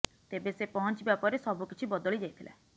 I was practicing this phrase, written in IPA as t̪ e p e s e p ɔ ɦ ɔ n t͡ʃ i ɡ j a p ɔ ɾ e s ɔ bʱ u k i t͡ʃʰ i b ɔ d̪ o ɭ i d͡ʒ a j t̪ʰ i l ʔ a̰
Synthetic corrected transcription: t̪ e b e s e p ɔ ɦ ɔ n t͡ʃ i b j a p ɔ ɾ e s ɔ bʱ u k i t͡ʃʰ i b ɔ d̪ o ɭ i d͡ʒ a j t̪ʰ i l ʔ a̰